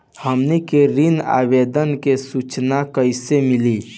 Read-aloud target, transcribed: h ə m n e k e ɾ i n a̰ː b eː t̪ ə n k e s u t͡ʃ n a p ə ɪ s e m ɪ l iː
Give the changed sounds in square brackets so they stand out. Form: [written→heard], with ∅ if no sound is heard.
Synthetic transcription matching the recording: h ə m n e k e ɾ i n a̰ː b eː [t̪→d̪] ə n k e s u t͡ʃ n a [p→k] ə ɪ s e m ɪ l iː